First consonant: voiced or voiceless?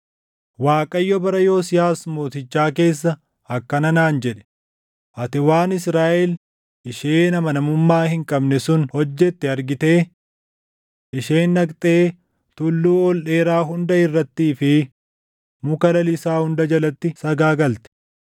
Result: voiced